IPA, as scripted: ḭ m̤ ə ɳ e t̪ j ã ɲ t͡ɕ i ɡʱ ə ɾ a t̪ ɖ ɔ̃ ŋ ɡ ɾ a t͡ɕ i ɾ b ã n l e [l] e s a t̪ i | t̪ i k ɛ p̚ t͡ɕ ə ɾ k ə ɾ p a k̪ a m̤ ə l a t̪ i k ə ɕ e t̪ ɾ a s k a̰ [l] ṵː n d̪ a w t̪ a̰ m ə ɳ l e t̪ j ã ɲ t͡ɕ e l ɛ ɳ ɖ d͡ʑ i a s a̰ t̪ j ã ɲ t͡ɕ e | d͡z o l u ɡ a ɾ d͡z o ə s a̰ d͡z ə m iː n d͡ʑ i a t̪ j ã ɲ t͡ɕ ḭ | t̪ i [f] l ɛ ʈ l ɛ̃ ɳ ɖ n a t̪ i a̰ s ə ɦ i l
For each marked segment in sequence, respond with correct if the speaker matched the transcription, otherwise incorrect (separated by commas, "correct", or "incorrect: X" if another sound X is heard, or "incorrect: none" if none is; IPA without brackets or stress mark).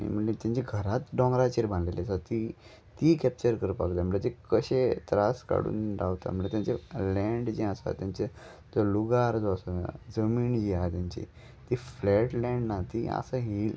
correct, incorrect: ɽ, correct